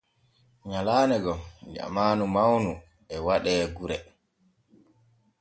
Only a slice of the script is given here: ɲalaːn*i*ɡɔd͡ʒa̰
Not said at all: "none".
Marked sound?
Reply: ɛ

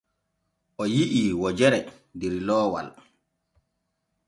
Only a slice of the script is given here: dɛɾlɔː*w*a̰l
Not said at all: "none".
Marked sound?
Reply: w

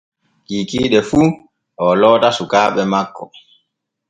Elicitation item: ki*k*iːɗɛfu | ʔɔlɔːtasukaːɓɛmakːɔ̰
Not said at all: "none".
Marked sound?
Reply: k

